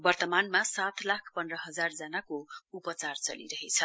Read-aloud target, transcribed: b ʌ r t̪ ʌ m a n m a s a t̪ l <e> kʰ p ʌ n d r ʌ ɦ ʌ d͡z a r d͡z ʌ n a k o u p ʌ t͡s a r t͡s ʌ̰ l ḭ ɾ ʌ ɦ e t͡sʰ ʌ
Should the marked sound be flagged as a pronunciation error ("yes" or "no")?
yes